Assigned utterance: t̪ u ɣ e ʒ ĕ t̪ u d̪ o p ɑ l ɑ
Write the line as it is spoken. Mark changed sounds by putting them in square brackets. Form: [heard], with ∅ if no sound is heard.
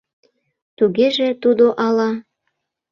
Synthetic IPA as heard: t̪ u ɣ e ʒ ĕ t̪ u d̪ o [ʔ] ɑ l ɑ